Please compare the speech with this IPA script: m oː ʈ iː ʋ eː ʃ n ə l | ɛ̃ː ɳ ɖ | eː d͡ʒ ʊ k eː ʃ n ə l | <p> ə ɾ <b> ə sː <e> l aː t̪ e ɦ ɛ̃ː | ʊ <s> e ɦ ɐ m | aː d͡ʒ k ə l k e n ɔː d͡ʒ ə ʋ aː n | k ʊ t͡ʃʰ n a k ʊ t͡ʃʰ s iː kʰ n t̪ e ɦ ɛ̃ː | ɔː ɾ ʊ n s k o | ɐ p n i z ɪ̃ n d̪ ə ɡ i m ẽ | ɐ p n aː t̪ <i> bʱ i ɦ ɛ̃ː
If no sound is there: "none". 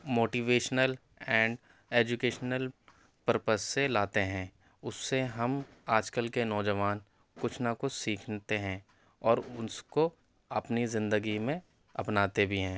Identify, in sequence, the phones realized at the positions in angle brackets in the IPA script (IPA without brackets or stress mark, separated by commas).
p, p, e, sː, e